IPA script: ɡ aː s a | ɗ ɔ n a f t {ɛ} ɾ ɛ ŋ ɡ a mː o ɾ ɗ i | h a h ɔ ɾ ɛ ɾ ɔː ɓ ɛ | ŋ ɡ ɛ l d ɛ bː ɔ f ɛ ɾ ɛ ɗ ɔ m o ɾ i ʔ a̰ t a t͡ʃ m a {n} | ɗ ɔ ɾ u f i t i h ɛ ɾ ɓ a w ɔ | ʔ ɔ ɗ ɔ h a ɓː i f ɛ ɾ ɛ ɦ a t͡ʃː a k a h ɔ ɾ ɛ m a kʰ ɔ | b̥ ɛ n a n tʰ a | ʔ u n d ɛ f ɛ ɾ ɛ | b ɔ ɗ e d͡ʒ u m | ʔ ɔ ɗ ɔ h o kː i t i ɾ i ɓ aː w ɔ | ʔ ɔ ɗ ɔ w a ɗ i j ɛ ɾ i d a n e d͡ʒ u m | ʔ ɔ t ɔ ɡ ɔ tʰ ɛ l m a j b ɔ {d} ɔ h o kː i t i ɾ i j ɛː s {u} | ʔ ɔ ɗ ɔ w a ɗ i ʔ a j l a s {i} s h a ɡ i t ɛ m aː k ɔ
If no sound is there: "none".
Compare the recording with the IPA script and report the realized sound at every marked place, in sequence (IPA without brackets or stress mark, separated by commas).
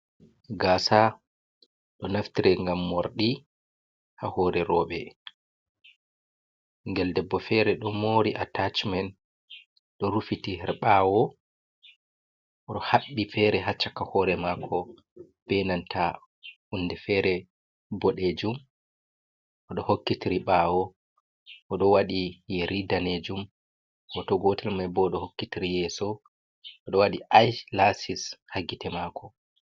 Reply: i, n, ɗ, ɔ, i